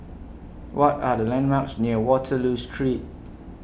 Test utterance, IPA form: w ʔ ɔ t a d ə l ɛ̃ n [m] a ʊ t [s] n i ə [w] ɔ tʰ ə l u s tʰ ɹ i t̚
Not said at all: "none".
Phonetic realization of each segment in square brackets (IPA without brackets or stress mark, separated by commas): m, s, w